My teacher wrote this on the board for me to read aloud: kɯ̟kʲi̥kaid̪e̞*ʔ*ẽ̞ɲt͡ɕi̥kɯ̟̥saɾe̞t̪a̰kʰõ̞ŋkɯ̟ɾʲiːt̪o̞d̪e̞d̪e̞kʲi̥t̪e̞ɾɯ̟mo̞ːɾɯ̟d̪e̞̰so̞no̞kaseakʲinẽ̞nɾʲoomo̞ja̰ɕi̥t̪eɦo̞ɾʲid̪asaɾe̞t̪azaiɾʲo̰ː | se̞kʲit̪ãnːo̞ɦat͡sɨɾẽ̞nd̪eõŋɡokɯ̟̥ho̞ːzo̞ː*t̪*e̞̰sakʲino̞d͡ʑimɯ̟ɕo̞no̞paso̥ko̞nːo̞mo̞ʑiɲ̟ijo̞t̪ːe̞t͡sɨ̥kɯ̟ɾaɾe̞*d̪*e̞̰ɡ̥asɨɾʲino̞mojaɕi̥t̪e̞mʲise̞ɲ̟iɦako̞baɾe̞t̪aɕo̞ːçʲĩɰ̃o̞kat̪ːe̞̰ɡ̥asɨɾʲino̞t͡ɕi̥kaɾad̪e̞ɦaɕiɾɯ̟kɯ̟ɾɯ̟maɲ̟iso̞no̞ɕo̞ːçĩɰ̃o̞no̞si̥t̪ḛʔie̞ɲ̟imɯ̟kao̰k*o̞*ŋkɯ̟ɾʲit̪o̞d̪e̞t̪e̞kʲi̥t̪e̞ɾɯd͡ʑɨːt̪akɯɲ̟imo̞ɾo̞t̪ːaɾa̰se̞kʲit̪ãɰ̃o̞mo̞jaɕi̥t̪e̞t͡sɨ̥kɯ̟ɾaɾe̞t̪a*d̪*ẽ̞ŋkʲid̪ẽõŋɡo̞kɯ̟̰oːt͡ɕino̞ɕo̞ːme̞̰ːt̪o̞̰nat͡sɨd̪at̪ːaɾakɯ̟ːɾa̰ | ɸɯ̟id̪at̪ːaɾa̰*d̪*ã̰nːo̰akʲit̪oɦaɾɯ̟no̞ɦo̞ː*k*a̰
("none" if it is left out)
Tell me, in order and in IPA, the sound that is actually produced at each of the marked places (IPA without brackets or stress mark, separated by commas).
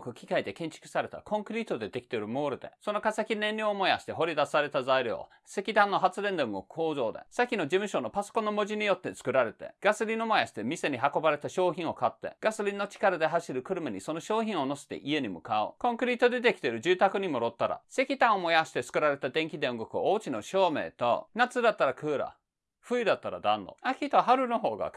k, d̪, t̪, õ̞, d̪, d̪, ɡ